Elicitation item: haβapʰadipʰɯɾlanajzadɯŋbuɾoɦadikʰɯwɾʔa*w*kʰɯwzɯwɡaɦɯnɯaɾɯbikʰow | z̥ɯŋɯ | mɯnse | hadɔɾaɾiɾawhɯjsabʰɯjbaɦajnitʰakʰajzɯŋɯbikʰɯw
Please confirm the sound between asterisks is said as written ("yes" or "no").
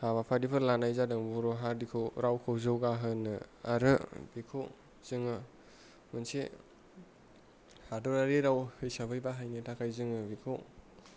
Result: yes